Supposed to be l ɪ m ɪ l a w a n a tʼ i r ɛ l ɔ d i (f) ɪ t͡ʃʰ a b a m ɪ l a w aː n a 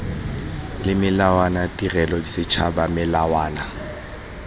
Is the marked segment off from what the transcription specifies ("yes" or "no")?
yes